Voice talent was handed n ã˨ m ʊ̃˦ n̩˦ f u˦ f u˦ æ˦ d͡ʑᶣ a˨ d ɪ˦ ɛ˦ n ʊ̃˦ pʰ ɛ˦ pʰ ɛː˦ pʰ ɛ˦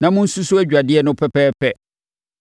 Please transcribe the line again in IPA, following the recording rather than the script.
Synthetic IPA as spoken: n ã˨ m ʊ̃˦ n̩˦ s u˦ s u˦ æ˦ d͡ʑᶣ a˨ d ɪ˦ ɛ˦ n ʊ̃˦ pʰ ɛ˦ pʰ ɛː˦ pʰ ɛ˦

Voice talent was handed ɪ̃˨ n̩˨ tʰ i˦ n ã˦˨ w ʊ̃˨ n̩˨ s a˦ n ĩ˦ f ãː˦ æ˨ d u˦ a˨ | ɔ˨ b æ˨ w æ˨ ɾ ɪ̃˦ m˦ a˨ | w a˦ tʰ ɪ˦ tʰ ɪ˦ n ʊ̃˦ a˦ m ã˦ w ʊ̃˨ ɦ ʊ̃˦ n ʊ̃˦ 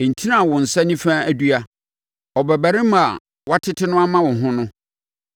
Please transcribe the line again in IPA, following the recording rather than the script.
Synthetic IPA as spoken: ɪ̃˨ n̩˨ tʰ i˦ n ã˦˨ w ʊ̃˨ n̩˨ s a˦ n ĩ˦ f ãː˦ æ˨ d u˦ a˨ | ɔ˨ b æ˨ b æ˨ ɾ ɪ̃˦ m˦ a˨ | w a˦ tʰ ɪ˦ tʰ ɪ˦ n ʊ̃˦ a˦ m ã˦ w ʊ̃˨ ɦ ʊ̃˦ n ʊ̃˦

